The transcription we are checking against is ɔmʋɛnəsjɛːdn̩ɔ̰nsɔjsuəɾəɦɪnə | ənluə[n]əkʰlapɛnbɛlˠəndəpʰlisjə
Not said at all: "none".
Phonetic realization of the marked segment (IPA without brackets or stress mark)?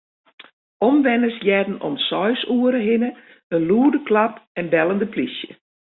d